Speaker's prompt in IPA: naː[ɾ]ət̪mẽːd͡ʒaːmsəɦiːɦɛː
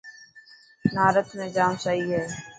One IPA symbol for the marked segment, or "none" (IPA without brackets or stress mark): ɾ